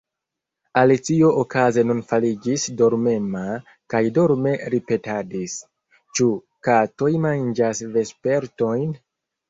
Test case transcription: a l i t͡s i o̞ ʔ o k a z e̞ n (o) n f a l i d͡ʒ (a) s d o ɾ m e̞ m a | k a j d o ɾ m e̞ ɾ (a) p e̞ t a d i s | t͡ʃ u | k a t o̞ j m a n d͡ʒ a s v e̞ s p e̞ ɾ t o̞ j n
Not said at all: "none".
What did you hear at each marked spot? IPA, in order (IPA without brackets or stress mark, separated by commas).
u, i, i